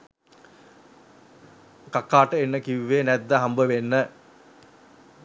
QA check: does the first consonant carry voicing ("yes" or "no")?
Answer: no